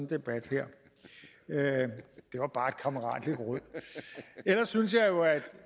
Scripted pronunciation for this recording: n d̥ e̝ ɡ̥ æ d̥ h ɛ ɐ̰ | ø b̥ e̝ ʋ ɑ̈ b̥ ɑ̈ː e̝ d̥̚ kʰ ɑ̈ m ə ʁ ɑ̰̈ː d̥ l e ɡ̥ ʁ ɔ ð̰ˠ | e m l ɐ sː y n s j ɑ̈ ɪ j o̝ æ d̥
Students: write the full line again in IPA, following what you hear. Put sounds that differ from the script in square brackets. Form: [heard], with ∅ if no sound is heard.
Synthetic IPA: n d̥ e̝ [b̥] æ d̥ h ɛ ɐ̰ | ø [d̥] e̝ ʋ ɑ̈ b̥ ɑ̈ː e̝ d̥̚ kʰ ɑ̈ m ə ʁ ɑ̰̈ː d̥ l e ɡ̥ ʁ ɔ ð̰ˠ | e [∅] l ɐ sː y n s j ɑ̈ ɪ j o̝ æ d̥